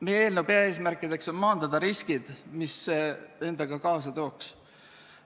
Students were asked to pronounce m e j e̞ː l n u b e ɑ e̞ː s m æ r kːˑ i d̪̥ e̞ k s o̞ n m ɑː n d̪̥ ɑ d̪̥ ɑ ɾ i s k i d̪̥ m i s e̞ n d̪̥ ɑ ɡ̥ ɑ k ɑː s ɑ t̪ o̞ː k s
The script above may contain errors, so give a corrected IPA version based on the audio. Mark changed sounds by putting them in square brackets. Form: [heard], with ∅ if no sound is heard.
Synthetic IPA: m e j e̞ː l n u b e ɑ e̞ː s m æ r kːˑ i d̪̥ e̞ k s o̞ n m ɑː n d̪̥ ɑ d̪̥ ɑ ɾ i s k i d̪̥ m i s e̞ n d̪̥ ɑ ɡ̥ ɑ k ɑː s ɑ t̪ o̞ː k s